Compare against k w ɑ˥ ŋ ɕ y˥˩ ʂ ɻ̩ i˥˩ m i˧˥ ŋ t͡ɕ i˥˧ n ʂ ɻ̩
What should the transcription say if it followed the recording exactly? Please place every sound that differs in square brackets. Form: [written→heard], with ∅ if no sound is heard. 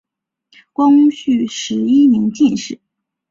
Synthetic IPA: k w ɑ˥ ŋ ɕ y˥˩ ʂ ɻ̩ [i˥˩→i˥] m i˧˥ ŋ t͡ɕ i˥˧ n ʂ ɻ̩